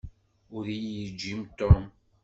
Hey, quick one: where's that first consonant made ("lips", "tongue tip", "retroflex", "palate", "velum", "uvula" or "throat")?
tongue tip